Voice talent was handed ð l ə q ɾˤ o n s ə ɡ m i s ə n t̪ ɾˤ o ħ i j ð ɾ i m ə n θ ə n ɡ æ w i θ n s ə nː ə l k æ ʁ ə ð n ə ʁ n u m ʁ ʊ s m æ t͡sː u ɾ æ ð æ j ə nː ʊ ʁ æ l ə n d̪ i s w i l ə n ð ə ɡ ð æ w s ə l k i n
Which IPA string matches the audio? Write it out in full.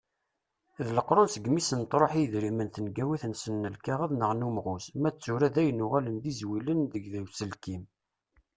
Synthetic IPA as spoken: ð l ə q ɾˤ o n s ə ɡ m i s ə n t̪ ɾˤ o ħ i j ð ɾ i m ə n θ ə n ɡ æ w i θ n s ə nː ə l k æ ʁ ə ð n ə ʁ n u m ʁ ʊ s m æ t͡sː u ɾ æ ð æ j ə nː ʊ ʁ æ l ə n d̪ i z w i l ə n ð ə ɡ ð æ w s ə l k i m